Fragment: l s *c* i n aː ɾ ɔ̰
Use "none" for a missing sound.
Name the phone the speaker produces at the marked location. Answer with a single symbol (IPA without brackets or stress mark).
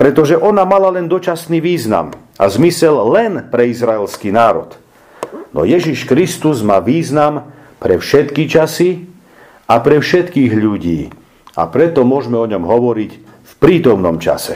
k